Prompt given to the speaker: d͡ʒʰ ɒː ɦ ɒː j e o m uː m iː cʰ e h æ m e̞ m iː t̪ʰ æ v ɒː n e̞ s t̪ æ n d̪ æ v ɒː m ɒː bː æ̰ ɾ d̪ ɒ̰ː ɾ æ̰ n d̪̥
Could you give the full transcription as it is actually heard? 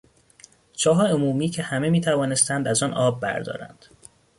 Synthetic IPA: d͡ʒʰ ɒː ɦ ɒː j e o m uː m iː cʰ e h æ m e̞ m iː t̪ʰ æ v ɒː n e̞ s t̪ æ n d̪ æ z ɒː n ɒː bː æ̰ ɾ d̪ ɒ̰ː ɾ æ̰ n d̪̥